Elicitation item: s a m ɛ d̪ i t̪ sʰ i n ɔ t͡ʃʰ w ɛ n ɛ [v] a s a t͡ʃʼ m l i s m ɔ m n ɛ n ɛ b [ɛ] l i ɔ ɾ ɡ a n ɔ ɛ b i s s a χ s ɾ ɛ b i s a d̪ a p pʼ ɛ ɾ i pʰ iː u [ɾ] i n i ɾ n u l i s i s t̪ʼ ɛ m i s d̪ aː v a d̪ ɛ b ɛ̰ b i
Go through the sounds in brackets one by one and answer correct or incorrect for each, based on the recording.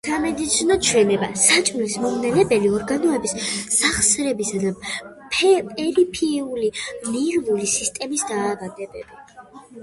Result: incorrect: b, correct, incorrect: l

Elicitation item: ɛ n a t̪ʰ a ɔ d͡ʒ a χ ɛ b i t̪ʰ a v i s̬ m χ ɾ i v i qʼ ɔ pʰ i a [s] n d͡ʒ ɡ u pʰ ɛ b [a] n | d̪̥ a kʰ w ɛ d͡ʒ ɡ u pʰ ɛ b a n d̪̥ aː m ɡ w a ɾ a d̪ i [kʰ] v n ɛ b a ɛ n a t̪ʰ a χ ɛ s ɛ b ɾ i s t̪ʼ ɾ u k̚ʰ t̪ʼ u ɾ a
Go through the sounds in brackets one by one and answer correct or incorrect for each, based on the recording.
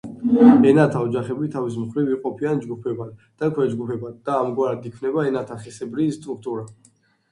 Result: incorrect: none, correct, correct

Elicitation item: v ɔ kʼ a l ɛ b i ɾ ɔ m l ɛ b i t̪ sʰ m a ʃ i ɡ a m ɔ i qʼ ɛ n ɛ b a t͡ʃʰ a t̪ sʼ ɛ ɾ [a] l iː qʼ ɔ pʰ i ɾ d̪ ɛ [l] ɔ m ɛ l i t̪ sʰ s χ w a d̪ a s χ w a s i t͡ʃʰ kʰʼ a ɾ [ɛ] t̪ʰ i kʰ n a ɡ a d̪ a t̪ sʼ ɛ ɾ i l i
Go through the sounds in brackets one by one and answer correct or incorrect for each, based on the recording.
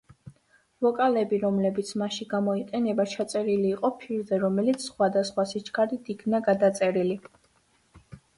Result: incorrect: i, incorrect: ɾ, incorrect: i

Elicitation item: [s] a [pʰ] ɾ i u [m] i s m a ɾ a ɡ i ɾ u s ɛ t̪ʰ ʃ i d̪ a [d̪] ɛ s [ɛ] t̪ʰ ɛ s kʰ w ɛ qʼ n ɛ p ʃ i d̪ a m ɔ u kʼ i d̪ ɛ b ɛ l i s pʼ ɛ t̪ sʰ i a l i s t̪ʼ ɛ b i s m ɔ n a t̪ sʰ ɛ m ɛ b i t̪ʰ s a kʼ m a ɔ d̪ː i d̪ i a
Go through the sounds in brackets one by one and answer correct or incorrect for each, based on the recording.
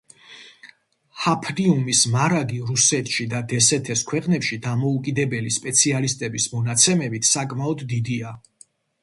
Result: incorrect: h, correct, correct, correct, correct

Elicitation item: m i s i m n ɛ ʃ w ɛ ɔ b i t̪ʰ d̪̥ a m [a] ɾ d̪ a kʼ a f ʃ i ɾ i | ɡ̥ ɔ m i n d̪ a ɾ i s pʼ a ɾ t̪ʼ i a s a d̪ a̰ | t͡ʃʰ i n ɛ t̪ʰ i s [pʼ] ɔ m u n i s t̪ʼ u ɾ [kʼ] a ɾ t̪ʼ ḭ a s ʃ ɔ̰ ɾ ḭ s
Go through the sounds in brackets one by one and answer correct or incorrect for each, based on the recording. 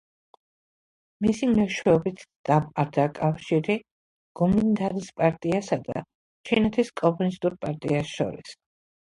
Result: correct, incorrect: kʼ, incorrect: pʼ

